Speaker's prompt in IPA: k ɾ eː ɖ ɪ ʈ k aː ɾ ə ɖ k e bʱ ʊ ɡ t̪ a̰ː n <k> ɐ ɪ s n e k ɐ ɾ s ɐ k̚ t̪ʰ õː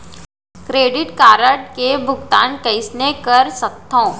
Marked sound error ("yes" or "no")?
no